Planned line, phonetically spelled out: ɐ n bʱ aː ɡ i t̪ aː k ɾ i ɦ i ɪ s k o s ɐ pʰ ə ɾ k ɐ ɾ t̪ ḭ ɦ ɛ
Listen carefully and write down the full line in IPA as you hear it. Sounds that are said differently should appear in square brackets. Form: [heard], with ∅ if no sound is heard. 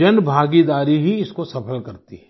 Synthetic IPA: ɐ n bʱ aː ɡ i [d̪] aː [∅] ɾ i ɦ i ɪ s k o s ɐ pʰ ə [l] k ɐ ɾ t̪ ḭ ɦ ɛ